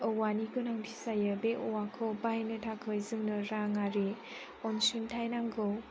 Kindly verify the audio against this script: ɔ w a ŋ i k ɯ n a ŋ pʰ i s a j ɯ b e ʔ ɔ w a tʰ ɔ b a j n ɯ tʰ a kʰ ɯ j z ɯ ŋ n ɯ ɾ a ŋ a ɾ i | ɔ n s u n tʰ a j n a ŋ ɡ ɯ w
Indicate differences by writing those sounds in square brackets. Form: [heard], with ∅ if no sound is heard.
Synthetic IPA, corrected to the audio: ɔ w a [n] i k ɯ n a ŋ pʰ i s a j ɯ b e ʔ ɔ w a [kʰ] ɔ b a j n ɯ tʰ a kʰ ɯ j z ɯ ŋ n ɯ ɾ a ŋ a ɾ i | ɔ n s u n tʰ a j n a ŋ ɡ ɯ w